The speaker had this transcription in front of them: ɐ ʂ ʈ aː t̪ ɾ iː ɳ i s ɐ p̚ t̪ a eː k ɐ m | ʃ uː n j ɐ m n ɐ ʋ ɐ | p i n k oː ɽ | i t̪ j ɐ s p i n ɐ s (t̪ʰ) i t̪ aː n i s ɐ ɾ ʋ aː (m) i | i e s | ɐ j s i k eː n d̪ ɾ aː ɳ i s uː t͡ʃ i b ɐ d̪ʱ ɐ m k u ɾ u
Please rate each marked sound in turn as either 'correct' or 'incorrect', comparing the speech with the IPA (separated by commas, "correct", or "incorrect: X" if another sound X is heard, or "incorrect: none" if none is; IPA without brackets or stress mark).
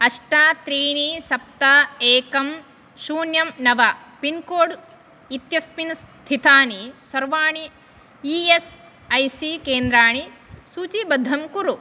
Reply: correct, incorrect: ɳ